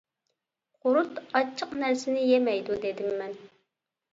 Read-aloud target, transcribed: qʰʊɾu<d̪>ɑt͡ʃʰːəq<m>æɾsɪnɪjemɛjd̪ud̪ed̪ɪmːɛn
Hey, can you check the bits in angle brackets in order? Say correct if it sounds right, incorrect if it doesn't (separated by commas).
incorrect, incorrect